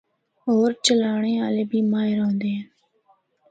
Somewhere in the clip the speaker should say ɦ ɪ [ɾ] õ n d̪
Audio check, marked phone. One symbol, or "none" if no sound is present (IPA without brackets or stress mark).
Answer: ɾ